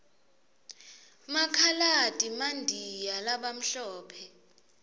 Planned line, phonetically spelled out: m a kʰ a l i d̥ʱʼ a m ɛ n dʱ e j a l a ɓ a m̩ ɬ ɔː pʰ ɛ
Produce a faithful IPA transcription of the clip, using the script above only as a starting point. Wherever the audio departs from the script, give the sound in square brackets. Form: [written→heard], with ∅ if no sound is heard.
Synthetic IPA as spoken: m a kʰ a l [i→a] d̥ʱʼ [a→i] m [ɛ→a] n dʱ [e→i] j a l a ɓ a m̩ ɬ ɔː pʰ ɛ